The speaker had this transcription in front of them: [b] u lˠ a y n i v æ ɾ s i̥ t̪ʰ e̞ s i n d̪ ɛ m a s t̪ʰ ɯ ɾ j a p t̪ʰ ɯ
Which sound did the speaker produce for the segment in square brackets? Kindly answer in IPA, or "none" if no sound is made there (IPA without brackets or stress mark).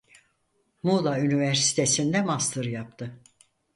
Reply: m